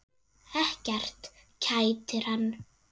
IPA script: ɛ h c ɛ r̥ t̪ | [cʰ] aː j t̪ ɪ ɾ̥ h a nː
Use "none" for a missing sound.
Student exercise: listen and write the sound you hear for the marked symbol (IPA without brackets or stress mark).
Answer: cʰ